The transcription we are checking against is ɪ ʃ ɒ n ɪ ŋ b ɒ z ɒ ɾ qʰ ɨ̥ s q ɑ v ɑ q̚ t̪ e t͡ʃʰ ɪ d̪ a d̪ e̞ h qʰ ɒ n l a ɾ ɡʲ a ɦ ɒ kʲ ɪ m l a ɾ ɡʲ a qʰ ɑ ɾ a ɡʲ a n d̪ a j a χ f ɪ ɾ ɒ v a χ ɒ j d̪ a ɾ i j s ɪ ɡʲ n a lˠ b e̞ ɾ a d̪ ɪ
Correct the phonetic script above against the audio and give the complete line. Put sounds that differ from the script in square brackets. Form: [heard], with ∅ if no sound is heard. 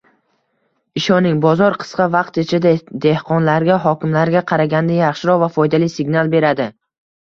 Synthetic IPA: ɪ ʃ ɒ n ɪ ŋ b ɒ z ɒ ɾ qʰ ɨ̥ s q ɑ v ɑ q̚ t̪ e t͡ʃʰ ɪ d̪ a d̪ e̞ h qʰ ɒ n l a ɾ ɡʲ a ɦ ɒ kʲ ɪ m l a ɾ ɡʲ a qʰ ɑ ɾ a ɡʲ a n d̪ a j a χ [ʃ] ɪ ɾ ɒ v a [f] ɒ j d̪ a [l] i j s ɪ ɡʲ n a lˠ b e̞ ɾ a d̪ ɪ